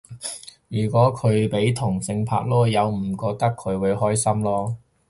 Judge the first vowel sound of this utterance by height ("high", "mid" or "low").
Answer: high